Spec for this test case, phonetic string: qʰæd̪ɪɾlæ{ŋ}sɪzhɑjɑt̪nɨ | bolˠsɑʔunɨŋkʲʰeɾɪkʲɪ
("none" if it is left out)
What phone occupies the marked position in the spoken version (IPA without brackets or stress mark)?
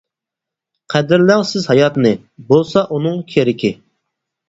ŋ